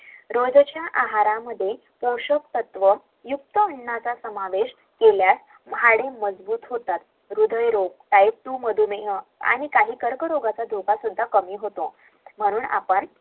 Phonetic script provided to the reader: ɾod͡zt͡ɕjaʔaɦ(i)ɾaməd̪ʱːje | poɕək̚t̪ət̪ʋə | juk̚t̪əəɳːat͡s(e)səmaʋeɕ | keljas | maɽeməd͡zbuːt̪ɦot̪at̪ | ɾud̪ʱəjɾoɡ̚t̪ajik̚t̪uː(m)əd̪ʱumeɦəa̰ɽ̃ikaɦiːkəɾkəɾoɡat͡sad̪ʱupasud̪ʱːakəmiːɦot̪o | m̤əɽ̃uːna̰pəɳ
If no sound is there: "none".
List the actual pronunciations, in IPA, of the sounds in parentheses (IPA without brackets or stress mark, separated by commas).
a, a, m